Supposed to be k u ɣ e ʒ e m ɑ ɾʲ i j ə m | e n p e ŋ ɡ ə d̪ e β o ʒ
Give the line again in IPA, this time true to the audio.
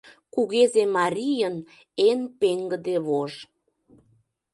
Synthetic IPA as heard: k u ɣ e z e m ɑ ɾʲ i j ə n | e n p e ŋ ɡ ə d̪ e β o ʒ